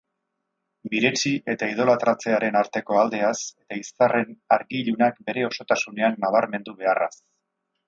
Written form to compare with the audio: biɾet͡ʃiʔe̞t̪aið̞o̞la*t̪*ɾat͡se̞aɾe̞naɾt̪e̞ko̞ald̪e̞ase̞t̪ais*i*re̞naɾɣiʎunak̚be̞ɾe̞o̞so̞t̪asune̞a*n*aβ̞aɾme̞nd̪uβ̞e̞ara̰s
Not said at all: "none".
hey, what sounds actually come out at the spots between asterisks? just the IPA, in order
t̪, a, nː

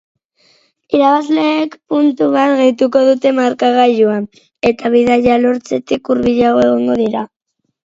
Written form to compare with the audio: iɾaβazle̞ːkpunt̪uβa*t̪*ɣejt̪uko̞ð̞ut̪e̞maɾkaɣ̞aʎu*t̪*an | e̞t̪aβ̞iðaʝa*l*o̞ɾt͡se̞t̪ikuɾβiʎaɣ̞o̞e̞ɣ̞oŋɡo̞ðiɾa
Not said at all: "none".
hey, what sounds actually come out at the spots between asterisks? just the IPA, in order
t̪, none, l

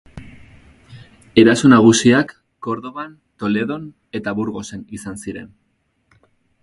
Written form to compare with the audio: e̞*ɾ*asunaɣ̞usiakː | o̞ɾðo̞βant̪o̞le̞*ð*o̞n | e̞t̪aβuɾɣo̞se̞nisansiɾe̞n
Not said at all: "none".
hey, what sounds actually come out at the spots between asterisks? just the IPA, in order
ɾ, ð

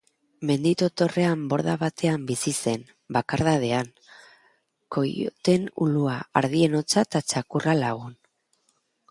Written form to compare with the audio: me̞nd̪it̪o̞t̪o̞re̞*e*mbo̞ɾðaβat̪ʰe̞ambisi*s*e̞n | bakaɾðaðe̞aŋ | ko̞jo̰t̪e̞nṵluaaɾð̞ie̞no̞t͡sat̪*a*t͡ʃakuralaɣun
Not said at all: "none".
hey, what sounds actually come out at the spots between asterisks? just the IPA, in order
a, s, a

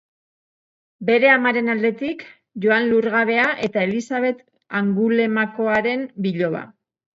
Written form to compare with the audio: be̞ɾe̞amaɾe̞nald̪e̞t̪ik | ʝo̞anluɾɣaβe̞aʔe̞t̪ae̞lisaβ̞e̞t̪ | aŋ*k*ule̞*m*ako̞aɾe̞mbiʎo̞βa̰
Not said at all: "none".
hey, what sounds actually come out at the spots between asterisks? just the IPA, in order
ɡ, m

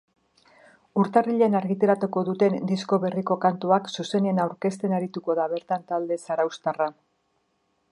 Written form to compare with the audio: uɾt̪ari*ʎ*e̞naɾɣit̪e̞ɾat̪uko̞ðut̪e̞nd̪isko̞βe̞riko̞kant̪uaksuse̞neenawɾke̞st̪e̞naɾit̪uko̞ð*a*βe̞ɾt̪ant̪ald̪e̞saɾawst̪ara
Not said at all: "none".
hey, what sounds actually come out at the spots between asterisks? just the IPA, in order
ʎ, a

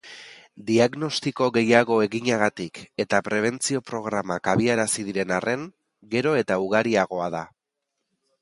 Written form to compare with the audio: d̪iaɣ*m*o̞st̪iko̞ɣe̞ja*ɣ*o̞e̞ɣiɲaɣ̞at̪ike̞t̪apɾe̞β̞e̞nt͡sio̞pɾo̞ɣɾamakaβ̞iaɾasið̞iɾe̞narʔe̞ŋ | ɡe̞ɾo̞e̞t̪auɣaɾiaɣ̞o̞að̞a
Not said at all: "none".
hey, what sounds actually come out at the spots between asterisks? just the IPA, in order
n, ɣ

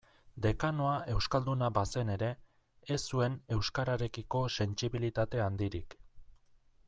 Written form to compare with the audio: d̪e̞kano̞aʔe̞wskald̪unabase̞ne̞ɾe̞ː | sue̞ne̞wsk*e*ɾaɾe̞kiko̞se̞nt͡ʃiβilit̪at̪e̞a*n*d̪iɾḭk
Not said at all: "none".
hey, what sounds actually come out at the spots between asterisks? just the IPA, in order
a, n

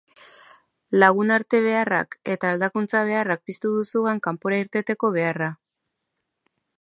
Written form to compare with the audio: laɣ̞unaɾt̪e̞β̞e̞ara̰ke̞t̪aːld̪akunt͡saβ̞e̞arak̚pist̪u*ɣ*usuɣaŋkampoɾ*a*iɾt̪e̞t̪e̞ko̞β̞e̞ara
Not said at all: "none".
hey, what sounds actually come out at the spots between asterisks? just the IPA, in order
ð, a

